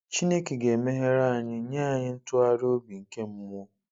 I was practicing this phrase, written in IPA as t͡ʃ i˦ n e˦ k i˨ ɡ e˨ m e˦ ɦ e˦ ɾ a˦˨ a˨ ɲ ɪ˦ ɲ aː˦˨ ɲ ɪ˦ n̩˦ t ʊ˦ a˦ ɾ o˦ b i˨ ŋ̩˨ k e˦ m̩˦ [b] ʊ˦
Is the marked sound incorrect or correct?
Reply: incorrect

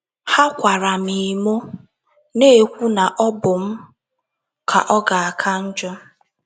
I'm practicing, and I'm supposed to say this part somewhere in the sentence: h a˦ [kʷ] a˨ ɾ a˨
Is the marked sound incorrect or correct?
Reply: correct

